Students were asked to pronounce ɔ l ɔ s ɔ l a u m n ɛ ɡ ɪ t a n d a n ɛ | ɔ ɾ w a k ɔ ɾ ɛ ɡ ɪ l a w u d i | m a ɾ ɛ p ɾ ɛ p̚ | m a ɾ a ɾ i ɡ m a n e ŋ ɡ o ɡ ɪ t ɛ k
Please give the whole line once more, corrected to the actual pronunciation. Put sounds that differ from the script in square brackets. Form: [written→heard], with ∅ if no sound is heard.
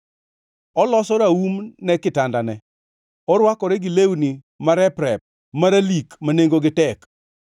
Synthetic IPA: ɔ l ɔ s ɔ [l→ɾ] a u m n ɛ [ɡ→k] ɪ t a n d a n ɛ | ɔ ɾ w a k ɔ ɾ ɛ ɡ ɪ l [a→e] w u [d→n] i | m a ɾ ɛ p ɾ ɛ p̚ | m a ɾ a [ɾ→l] i [ɡ→k] m a n e ŋ ɡ o ɡ ɪ t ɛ k